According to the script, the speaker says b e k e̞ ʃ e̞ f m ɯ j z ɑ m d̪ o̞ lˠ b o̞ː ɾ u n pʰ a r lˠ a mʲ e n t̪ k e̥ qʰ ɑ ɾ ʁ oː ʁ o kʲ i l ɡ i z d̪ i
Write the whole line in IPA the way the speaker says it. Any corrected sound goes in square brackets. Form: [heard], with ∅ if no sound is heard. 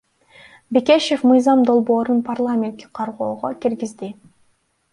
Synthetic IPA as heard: b e k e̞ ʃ e̞ f m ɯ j z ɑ m d̪ o̞ lˠ b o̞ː ɾ u n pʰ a r lˠ a mʲ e n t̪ k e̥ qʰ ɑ ɾ ʁ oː ʁ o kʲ i [ɾ] ɡ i z d̪ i